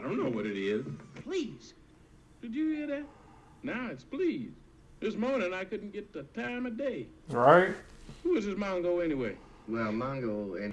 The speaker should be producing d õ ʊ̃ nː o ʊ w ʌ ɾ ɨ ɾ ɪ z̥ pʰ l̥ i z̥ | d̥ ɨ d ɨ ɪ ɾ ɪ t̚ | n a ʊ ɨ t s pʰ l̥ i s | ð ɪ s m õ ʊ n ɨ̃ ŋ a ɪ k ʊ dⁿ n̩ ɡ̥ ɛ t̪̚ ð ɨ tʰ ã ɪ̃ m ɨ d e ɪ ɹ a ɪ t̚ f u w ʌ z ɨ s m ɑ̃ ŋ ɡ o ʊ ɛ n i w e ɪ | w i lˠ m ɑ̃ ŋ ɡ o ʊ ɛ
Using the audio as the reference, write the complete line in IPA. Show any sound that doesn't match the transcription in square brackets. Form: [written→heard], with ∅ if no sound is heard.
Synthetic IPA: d õ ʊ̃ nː o ʊ w ʌ ɾ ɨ ɾ ɪ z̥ pʰ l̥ i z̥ | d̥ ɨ [d→d͡ʒ] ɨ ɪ ɾ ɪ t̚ | n a ʊ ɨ t s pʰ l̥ i [s→z] | ð ɪ s m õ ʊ n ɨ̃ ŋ a ɪ k ʊ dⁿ n̩ ɡ̥ ɛ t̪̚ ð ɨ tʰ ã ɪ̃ m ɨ d e ɪ ɹ a ɪ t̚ [f→h] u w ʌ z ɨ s m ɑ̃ ŋ ɡ o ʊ ɛ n i w e ɪ | w [i→ɛ] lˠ m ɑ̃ ŋ ɡ o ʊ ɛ